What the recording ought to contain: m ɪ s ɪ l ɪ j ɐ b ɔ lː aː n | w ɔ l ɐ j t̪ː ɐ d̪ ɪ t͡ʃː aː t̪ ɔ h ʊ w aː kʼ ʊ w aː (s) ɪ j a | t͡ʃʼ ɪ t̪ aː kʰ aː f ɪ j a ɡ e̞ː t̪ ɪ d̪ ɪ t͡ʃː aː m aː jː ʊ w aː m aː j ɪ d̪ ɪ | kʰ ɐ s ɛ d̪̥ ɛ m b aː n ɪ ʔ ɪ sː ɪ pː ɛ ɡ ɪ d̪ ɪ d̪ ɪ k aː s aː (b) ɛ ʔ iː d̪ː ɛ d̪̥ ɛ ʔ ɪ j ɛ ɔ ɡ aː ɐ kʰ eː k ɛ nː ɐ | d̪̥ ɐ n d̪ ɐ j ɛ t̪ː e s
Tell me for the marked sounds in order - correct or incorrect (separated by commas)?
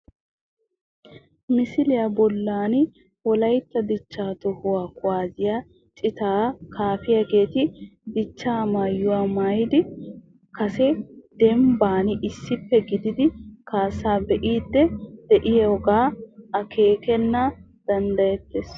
incorrect, correct